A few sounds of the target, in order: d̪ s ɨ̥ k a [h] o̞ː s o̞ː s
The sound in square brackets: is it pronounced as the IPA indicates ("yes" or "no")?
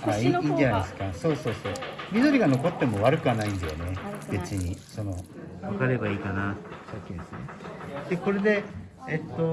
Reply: no